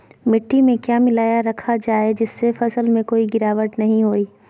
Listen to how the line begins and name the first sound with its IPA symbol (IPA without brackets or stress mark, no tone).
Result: m